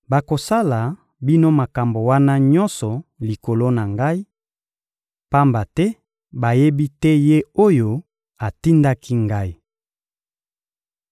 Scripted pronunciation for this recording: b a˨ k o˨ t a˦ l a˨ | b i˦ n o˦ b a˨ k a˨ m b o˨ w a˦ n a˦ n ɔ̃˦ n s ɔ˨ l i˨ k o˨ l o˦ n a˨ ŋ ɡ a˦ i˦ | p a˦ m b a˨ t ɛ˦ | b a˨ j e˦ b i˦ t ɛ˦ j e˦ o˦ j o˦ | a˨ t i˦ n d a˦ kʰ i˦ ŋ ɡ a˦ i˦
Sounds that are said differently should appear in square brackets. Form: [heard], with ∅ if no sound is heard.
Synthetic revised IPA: b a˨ k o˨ [s] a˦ l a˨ | b i˦ n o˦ [m] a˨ k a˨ m b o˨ w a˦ n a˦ [ɲ] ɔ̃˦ n s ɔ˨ l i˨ k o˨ l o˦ n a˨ ŋ ɡ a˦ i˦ | p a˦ m b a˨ t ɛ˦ | b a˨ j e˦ b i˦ t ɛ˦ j e˦ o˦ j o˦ | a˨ t i˦ n d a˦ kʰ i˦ ŋ ɡ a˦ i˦